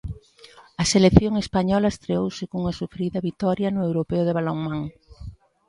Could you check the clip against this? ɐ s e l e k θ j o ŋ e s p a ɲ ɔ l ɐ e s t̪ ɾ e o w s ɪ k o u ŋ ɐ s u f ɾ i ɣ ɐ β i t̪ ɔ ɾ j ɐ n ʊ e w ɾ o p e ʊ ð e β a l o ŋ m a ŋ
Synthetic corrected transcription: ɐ s e l e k θ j o ŋ e s p a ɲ ɔ l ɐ e s t̪ ɾ e o w s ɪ k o u ŋ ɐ s u f ɾ i ð ɐ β i t̪ ɔ ɾ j ɐ n ʊ e w ɾ o p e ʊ ð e β a l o ŋ m a ŋ